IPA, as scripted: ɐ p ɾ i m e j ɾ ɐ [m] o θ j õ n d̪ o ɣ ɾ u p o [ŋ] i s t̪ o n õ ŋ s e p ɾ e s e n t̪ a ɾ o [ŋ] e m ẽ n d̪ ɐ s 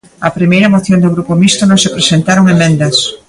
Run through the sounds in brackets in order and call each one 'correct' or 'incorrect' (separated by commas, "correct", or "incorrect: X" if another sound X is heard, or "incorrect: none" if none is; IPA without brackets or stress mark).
correct, incorrect: m, correct